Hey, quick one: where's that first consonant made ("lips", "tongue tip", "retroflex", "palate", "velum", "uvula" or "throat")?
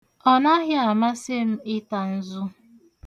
tongue tip